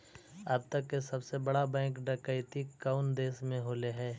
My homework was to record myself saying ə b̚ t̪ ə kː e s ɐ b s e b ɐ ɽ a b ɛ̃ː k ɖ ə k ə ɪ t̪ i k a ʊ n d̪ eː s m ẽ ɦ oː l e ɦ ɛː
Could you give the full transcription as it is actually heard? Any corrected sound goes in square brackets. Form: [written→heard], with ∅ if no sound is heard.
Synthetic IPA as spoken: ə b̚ t̪ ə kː e s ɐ b s e b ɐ ɽ a b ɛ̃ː k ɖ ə k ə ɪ t̪ i k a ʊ n d̪ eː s m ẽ ɦ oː l e ɦ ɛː